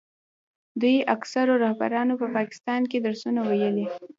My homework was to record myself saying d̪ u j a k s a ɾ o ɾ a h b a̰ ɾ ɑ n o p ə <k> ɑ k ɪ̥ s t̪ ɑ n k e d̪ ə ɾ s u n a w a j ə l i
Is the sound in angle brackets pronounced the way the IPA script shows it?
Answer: no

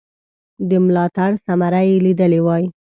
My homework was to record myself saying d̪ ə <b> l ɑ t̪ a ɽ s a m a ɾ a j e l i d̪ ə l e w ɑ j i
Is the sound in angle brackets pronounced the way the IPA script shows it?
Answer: no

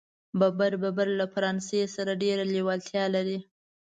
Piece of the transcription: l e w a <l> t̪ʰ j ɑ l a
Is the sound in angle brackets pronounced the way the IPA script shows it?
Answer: yes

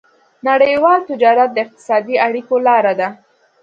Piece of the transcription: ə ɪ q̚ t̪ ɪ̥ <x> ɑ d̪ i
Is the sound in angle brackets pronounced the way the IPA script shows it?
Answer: no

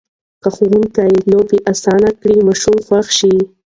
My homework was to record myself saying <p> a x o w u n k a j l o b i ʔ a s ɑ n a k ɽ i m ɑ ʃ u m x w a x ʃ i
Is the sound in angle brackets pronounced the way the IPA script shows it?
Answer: no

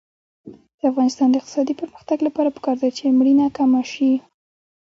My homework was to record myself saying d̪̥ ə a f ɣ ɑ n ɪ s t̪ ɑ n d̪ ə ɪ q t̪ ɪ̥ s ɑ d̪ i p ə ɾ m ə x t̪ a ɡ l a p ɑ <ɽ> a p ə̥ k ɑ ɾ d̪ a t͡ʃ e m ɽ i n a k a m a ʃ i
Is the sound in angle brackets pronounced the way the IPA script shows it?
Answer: no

